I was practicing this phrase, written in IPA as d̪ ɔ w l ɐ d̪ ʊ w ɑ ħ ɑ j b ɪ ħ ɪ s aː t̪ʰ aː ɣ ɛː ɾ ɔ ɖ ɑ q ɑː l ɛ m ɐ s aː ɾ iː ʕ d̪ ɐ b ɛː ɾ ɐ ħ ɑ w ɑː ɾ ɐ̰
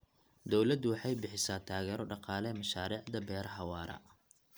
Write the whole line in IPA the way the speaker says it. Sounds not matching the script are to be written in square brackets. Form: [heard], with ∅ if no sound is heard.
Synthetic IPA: d̪ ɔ w l ɐ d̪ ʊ w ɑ ħ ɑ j b ɪ ħ ɪ s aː t̪ʰ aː ɣ ɛː ɾ ɔ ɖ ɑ q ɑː l ɛ m ɐ [ʃ] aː ɾ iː ʕ d̪ ɐ b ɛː ɾ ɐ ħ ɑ w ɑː ɾ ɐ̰